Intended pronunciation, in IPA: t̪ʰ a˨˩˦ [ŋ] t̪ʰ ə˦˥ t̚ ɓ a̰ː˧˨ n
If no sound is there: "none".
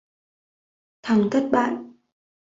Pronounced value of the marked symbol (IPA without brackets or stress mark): ŋ